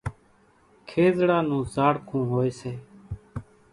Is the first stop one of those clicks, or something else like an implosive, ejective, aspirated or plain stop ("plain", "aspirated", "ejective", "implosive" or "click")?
aspirated